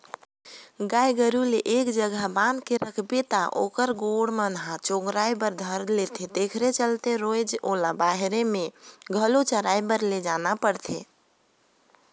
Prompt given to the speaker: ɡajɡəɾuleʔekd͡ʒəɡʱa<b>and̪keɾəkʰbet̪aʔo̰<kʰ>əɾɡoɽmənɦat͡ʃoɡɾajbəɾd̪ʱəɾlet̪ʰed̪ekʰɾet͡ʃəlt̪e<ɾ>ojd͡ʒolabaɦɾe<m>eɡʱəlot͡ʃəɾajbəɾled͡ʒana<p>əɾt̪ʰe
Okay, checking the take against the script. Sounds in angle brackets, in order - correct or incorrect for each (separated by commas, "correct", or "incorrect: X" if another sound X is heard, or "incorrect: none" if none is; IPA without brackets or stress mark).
correct, incorrect: k, correct, correct, correct